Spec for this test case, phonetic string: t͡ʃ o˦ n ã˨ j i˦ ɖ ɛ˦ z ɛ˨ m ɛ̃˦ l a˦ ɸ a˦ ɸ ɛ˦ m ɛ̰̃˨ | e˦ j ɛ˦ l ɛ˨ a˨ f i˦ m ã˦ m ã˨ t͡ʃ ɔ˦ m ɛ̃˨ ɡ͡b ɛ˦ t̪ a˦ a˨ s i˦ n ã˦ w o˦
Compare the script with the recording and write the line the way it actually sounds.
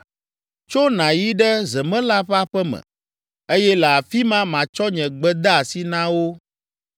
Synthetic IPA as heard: t͡ʃ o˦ n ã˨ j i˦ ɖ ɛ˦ z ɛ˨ m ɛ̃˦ l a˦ ɸ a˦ ɸ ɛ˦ m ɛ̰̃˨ | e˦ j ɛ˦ l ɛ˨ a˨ f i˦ m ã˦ m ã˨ t͡ʃ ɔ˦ ɲ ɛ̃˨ ɡ͡b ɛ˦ d̪ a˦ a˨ s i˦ n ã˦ w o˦